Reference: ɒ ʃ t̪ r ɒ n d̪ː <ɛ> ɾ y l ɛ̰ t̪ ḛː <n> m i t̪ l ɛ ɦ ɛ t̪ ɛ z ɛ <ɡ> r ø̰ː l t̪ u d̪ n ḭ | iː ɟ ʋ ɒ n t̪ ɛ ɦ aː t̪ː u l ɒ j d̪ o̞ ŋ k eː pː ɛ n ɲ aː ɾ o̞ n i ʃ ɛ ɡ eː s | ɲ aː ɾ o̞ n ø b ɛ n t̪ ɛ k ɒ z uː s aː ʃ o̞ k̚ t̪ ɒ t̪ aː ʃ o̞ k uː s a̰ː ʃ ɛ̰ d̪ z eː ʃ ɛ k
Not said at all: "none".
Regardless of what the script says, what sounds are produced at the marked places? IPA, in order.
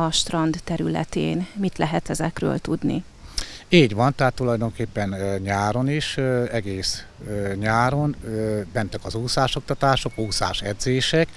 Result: ɛ, n, k

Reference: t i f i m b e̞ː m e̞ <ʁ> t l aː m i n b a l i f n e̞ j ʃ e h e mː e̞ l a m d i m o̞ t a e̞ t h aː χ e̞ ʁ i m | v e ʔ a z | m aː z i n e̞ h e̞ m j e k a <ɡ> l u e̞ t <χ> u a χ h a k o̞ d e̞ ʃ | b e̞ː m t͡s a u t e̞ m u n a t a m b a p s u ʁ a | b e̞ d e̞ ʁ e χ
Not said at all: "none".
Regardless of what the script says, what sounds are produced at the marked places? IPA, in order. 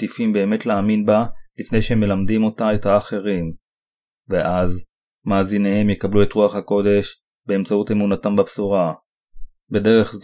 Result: none, b, ʁ

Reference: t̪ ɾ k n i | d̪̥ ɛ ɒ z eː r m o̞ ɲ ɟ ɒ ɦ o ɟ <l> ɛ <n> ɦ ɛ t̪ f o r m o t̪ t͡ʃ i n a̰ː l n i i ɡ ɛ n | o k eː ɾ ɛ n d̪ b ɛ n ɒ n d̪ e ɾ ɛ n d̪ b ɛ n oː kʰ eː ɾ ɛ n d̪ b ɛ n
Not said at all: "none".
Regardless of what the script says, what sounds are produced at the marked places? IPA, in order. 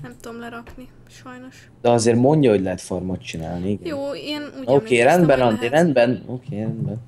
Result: l, none

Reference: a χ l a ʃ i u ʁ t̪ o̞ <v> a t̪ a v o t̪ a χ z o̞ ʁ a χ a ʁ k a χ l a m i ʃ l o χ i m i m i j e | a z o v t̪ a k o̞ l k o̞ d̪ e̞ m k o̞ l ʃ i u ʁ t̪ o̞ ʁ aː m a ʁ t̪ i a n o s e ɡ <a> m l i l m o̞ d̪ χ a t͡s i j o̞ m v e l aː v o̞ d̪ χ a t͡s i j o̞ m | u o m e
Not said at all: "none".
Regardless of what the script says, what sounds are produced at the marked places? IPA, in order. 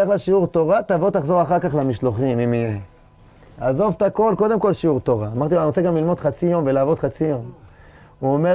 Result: ʁ, a

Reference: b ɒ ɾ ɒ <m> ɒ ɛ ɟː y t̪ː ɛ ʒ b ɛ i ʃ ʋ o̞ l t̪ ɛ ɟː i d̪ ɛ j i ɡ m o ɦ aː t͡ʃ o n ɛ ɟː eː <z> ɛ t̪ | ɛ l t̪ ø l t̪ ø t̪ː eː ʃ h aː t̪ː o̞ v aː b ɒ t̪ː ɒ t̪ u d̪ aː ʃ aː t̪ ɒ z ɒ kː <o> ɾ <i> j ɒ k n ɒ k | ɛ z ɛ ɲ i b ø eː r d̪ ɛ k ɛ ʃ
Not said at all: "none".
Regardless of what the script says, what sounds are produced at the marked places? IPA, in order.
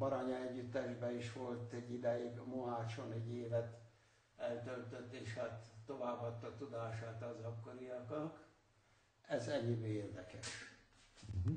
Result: ɲ, v, o, i

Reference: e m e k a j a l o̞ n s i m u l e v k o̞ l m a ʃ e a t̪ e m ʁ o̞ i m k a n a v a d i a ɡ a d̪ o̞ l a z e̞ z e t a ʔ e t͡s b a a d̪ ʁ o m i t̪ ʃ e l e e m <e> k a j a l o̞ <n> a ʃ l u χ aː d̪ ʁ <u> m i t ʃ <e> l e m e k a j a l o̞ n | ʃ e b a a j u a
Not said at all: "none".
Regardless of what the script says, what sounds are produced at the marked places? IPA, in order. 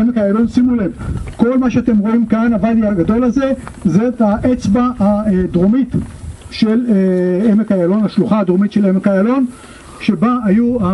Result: e, n, o, e

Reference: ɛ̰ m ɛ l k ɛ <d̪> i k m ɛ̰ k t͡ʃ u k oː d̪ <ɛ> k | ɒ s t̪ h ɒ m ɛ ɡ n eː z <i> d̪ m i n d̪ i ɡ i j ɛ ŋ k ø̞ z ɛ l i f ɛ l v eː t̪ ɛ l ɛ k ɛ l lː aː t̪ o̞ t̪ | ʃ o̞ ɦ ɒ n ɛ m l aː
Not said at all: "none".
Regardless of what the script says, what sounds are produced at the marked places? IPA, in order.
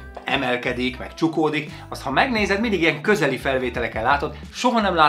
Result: d̪, i, ɛ

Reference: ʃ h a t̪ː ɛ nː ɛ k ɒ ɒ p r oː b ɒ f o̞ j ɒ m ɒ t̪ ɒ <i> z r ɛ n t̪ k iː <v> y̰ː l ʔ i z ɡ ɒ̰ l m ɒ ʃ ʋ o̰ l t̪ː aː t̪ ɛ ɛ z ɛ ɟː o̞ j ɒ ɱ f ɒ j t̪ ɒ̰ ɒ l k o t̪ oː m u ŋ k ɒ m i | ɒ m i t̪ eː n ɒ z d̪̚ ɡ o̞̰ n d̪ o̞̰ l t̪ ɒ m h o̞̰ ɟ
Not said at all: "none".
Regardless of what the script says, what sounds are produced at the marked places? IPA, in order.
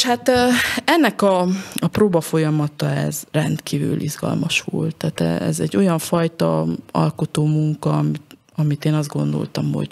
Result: ɛ, v

